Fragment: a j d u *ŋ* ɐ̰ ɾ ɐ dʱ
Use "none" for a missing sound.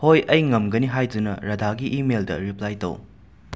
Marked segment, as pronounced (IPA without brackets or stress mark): n